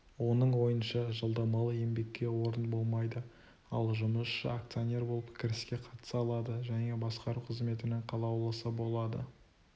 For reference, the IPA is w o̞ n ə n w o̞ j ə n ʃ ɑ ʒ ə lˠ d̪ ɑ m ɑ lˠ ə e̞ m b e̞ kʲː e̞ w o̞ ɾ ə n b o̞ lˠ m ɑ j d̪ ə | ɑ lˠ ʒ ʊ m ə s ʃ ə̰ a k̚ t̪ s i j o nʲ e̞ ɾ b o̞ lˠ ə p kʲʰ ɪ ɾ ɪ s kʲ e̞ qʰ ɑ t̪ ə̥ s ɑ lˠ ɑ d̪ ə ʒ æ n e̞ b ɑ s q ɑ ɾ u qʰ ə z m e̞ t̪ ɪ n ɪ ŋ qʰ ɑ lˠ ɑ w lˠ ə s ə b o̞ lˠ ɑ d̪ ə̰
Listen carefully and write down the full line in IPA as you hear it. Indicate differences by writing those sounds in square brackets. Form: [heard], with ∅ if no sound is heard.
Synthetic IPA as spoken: w o̞ n ə [ɴ] w o̞ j ə n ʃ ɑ ʒ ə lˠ d̪ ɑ m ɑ lˠ ə e̞ m b e̞ kʲː e̞ w o̞ ɾ ə n b o̞ lˠ m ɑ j d̪ ə | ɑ lˠ ʒ ʊ m ə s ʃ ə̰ a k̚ t̪ s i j o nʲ e̞ ɾ b o̞ lˠ ə p kʲʰ ɪ ɾ ɪ s kʲ e̞ qʰ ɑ t̪ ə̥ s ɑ lˠ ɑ d̪ ə ʒ æ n e̞ b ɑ s q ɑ ɾ u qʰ ə z m e̞ t̪ ɪ n ɪ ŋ qʰ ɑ lˠ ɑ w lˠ ə s ə b o̞ lˠ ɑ d̪ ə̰